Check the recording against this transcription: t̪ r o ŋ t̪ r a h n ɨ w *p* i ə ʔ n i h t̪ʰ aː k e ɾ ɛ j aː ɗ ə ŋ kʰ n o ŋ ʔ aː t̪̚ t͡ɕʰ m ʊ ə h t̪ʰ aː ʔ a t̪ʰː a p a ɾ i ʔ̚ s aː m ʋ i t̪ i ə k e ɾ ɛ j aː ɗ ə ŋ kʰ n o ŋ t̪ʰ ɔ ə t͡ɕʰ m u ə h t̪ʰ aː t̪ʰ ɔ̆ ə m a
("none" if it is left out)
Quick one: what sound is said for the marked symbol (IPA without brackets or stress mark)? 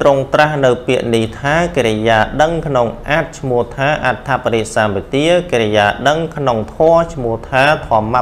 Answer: p